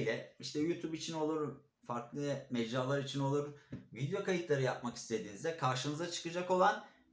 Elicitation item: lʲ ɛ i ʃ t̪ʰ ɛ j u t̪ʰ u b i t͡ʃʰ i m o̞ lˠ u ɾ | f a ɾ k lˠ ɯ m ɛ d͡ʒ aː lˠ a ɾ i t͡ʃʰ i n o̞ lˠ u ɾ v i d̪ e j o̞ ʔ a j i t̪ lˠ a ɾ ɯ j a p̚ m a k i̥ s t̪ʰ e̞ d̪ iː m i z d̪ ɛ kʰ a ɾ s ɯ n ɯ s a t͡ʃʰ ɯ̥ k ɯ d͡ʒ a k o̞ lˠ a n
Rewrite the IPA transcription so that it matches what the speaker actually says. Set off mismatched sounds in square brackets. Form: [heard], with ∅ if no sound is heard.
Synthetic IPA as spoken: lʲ ɛ i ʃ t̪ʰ ɛ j u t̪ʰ u b i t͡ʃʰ i [n] o̞ lˠ u ɾ | f a ɾ k lˠ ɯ m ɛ d͡ʒ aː lˠ a ɾ i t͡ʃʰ i n o̞ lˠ u ɾ v i d̪ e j o̞ [k] a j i t̪ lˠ a ɾ ɯ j a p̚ m a k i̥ s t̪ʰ e̞ d̪ iː [n] i z d̪ ɛ kʰ a ɾ [ʃ] ɯ n ɯ [z] a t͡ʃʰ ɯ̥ k ɯ d͡ʒ a k o̞ lˠ a n